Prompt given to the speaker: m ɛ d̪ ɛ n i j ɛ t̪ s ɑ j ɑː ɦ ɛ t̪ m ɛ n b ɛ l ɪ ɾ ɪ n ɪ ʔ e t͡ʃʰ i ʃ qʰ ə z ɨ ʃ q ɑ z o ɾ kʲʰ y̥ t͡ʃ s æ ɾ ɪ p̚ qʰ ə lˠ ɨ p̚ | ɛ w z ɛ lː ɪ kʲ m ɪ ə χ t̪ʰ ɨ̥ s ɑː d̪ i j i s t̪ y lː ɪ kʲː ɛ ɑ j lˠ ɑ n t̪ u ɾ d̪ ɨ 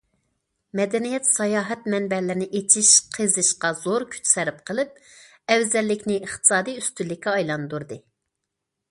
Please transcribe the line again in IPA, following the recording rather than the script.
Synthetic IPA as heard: m ɛ d̪ ɛ n i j ɛ t̪ s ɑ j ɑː ɦ ɛ t̪ m ɛ n b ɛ l ɪ ɾ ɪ n ɪ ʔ e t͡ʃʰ i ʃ qʰ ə z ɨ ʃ q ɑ z o ɾ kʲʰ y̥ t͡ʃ s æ ɾ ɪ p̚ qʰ ə lˠ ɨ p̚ | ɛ w z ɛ lː ɪ kʲ n ɪ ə χ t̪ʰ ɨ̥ s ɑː d̪ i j y s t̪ y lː ɪ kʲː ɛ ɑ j lˠ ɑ n d̪ u ɾ d̪ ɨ

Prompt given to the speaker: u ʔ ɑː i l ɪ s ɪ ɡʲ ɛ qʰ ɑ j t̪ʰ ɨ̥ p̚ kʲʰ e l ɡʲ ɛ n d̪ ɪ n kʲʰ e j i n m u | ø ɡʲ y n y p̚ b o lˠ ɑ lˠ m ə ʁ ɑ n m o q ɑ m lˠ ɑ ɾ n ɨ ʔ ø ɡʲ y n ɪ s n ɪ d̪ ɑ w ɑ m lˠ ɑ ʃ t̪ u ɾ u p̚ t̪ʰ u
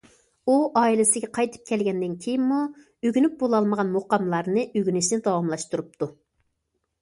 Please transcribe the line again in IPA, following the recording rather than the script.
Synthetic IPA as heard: u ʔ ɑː i l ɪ s ɪ ɡʲ ɛ qʰ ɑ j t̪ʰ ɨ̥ p̚ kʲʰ ɛ l ɡʲ ɛ n d̪ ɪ n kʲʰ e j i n m u | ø ɡʲ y n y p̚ b o lˠ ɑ lˠ m ə ʁ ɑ n m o q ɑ m lˠ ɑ ɾ n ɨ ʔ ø ɡʲ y n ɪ ʃ n ɪ d̪ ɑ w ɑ m lˠ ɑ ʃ t̪ u ɾ u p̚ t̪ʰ u

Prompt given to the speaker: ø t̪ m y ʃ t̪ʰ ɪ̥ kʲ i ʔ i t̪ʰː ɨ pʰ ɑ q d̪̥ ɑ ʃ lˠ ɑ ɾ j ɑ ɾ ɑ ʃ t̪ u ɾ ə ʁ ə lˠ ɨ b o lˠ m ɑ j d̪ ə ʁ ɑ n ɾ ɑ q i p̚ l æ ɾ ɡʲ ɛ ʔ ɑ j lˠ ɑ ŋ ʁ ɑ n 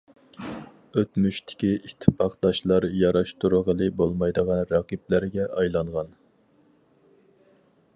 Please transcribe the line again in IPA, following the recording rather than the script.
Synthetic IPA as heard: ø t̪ m y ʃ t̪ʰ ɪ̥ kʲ i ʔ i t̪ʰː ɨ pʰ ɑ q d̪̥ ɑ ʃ lˠ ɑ ɾ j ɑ ɾ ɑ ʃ t̪ u ɾ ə ʁ ə lˠ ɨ b o lˠ m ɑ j d̪ ə ʁ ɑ n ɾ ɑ q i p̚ l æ ɾ ɡʲ ɛ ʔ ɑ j lˠ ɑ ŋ ʁ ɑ n

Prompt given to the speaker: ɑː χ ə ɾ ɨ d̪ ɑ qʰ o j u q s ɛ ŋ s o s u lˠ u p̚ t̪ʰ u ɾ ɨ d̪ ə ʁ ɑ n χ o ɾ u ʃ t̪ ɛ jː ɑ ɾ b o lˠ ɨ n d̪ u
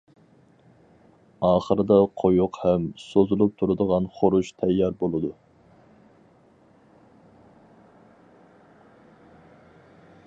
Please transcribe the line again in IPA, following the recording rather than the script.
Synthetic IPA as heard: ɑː χ ə ɾ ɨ d̪ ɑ qʰ o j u q h ɛ m s o z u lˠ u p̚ t̪ʰ u ɾ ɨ d̪ ə ʁ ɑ n χ o ɾ u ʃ t̪ʰ ɛ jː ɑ ɾ b o lˠ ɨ d̪ u

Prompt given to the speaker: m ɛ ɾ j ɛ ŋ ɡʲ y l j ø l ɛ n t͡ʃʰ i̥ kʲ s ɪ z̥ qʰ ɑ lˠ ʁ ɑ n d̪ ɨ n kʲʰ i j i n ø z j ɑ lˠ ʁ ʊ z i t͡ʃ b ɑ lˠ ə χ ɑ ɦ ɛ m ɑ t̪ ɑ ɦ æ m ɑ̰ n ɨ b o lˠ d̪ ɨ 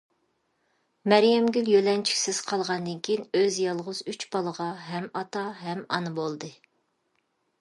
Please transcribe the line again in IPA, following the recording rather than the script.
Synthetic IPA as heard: m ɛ ɾ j ɛ m ɡʲ y l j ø l ɛ n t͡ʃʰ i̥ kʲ s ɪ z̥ qʰ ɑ lˠ ʁ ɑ n d̪ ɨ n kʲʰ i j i n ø z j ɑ lˠ ʁ ʊ z y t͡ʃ b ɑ lˠ ə ʁ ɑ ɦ ɛ m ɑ t̪ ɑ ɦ ɛ m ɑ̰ n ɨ b o lˠ d̪ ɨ

